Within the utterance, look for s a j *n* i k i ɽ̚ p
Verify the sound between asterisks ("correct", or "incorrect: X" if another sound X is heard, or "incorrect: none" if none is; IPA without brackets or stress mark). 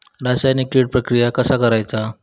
correct